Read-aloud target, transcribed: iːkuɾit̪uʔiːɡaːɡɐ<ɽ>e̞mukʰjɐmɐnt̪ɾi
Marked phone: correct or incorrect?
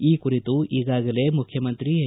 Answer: incorrect: l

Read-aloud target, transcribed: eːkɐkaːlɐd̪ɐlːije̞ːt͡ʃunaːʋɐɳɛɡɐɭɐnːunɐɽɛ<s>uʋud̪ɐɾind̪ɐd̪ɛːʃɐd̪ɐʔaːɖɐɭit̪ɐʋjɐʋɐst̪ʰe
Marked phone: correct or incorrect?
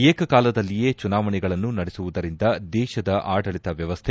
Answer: correct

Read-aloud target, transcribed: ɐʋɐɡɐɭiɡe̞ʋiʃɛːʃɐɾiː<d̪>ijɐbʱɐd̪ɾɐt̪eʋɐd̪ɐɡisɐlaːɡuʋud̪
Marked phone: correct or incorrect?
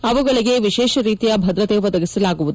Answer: incorrect: t̪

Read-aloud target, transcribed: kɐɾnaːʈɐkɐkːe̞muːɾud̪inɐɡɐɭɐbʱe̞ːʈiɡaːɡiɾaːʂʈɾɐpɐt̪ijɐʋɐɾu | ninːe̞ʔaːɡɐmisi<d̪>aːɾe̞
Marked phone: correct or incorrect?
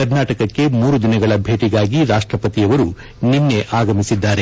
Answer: incorrect: d̪ː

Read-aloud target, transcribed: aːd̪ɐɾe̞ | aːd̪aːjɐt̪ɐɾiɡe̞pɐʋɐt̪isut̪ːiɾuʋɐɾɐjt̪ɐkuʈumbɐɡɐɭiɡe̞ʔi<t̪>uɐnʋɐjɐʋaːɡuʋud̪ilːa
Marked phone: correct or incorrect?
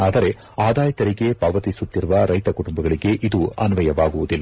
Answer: incorrect: d̪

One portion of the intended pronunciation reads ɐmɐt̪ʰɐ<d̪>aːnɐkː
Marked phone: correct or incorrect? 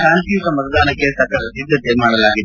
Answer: correct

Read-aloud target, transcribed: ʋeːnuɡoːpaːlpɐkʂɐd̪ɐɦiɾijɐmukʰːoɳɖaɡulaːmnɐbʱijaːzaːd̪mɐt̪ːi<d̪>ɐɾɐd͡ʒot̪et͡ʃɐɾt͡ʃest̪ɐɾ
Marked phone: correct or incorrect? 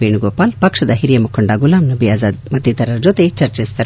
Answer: incorrect: t̪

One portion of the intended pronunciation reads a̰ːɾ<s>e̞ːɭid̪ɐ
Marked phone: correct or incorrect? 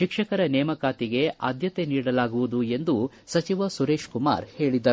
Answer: incorrect: h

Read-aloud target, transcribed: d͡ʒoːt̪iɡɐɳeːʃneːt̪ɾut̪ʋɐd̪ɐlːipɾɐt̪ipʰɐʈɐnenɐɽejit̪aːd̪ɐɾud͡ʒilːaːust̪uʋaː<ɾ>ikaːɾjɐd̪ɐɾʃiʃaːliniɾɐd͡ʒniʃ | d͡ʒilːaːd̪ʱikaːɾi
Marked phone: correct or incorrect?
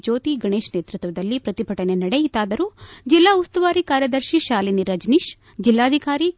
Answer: correct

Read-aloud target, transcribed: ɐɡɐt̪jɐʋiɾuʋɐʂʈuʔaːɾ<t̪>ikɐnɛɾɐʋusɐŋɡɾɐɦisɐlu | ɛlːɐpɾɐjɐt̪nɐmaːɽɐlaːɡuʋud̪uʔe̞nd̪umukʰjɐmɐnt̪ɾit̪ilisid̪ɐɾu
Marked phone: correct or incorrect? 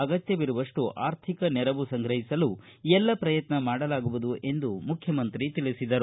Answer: incorrect: t̪ʰ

